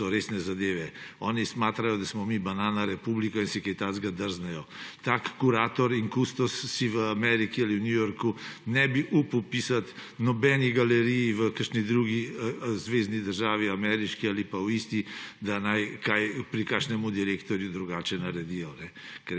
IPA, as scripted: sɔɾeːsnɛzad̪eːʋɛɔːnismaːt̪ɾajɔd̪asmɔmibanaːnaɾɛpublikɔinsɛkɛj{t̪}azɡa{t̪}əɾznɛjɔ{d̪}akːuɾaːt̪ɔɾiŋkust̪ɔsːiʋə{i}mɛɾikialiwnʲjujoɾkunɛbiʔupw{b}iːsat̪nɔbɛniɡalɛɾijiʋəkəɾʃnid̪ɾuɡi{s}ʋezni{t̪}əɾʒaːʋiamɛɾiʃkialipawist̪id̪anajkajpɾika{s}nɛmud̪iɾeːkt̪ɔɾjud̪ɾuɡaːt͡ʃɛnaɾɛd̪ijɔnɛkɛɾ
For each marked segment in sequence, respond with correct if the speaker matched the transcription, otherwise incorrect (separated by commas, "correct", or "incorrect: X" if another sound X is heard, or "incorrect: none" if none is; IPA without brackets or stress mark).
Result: correct, incorrect: d̪, incorrect: t̪, incorrect: a, incorrect: p, incorrect: z, incorrect: d̪, incorrect: ʃ